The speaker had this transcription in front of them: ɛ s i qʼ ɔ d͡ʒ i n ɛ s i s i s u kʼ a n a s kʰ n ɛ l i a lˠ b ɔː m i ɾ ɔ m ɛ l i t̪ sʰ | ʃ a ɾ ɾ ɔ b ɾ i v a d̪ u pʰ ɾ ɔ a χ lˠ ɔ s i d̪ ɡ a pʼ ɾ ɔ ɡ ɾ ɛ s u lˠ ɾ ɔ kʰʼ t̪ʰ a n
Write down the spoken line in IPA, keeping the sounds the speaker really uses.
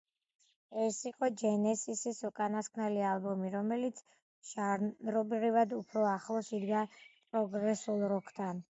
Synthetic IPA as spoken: ɛ s i qʼ ɔ d͡ʒ ɛ n ɛ s i s i s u kʼ a n a s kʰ n ɛ l i a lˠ b ɔ m i ɾ ɔ m ɛ l i t̪ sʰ | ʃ a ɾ ɾ ɔ b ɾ i v a d̪ u pʰ ɾ ɔ a χ lˠ ɔ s i d̪ ɡ a pʼ ɾ ɔ ɡ ɾ ɛ s u lˠ ɾ ɔ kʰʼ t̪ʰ a n